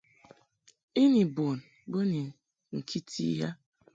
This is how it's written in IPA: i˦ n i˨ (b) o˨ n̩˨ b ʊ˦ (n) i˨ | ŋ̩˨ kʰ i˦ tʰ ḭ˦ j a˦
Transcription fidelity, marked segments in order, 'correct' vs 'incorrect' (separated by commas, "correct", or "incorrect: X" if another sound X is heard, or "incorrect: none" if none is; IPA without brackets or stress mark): correct, correct